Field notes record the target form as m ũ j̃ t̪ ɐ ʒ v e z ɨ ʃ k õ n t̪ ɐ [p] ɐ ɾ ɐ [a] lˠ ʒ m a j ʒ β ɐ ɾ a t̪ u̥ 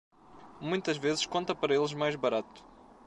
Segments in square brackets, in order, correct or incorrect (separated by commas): correct, incorrect